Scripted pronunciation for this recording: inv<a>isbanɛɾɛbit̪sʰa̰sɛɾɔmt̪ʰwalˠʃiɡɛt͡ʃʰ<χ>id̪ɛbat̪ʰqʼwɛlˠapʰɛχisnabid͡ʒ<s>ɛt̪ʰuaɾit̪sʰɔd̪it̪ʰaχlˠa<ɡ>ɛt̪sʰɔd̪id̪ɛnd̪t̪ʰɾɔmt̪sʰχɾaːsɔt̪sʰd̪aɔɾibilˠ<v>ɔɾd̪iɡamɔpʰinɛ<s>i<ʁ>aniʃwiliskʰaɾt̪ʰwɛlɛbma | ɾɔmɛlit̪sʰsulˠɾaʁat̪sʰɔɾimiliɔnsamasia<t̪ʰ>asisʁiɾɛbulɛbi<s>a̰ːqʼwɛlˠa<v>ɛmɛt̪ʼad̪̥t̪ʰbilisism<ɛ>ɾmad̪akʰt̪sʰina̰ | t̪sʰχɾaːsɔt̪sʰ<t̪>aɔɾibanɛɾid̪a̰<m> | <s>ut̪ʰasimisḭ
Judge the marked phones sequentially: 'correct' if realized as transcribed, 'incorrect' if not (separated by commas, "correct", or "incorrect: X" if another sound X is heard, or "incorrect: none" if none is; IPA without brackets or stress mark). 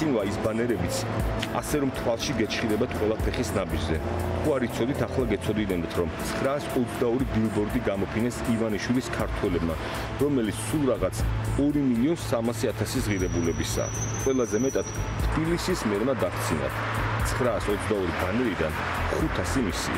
correct, correct, incorrect: z, correct, incorrect: b, correct, incorrect: v, correct, correct, incorrect: z, correct, incorrect: d̪, incorrect: n, incorrect: χ